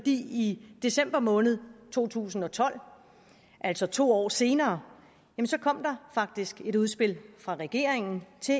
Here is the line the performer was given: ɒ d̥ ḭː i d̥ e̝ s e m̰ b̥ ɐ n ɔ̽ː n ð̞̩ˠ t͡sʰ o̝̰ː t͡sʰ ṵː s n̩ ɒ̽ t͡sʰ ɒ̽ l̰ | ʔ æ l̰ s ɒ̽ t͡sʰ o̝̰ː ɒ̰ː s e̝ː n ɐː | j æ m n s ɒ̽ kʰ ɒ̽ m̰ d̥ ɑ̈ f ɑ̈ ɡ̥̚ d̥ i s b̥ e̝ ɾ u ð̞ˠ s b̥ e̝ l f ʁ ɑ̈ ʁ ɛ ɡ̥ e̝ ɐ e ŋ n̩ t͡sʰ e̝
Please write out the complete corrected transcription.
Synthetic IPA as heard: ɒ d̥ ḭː i d̥ e̝ s e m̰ b̥ ɐ m ɔ̽ː n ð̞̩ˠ t͡sʰ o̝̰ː t͡sʰ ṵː s n̩ ɒ̽ t͡sʰ ɒ̽ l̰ | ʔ æ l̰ s ɒ̽ t͡sʰ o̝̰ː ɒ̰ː s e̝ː n ɐː | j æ m n s ɒ̽ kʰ ɒ̽ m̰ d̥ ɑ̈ f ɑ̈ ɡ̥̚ d̥ i s ɡ̥ e̝ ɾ u ð̞ˠ s b̥ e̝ l f ʁ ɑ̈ ʁ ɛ ɡ̥ e̝ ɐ e ŋ n̩ t͡sʰ e̝